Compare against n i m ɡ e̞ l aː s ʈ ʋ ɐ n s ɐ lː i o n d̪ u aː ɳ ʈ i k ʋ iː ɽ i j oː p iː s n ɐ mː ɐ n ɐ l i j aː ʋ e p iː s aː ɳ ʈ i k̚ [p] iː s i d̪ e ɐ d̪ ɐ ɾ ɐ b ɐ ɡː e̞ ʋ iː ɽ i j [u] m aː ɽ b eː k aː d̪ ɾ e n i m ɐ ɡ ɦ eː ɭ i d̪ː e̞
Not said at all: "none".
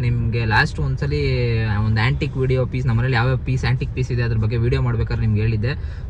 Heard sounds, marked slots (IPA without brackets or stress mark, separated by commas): p, o